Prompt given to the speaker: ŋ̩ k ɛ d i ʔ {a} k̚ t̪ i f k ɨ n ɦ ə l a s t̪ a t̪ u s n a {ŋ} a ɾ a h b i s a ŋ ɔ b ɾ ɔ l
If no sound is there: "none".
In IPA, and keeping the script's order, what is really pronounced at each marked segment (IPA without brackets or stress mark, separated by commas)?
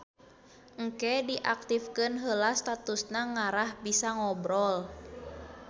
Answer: a, ŋ